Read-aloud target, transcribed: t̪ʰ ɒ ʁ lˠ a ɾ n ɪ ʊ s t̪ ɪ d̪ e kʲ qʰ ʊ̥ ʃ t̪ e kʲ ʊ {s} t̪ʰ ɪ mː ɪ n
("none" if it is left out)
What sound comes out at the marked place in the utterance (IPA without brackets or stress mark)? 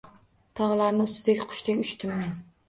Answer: ʃ